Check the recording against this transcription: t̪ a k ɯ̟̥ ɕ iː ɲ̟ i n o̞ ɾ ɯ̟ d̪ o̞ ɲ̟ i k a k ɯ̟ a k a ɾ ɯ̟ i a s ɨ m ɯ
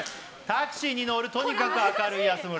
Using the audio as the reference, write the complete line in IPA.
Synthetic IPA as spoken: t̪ a k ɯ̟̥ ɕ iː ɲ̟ i n o̞ ɾ ɯ̟ t̪ o̞ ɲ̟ i k a k ɯ̟ a k a ɾ ɯ̟ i a s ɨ m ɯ